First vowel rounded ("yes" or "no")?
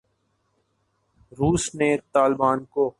yes